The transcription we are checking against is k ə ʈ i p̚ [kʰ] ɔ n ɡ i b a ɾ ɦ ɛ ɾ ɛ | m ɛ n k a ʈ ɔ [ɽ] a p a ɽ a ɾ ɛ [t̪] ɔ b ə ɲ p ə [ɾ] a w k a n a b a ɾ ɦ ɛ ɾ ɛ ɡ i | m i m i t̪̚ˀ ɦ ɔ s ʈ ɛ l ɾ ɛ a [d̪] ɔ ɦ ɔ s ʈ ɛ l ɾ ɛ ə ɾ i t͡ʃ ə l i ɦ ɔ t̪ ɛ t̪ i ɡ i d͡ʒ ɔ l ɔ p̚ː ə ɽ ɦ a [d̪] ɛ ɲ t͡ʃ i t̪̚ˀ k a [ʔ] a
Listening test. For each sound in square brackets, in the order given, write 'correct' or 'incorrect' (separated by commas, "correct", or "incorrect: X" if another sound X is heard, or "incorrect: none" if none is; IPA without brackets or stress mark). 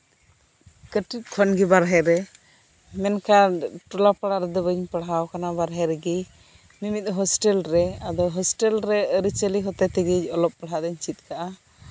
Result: correct, incorrect: l, incorrect: d̪, incorrect: ɽ, correct, correct, correct